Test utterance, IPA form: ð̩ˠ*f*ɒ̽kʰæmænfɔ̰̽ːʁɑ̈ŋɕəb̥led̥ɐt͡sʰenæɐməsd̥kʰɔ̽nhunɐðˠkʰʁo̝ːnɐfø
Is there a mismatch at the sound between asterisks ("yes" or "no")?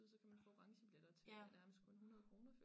yes